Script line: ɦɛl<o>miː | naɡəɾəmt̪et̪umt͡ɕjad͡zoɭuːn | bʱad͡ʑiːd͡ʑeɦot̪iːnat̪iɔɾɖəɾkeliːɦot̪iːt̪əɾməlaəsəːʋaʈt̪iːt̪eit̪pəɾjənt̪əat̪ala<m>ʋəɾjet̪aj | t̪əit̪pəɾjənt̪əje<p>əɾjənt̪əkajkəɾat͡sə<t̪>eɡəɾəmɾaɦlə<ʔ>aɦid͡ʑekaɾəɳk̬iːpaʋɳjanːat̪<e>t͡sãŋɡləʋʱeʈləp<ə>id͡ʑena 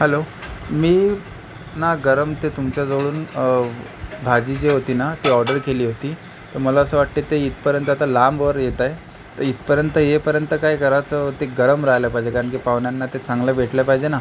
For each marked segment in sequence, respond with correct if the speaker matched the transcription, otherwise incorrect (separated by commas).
correct, correct, correct, correct, incorrect, correct, incorrect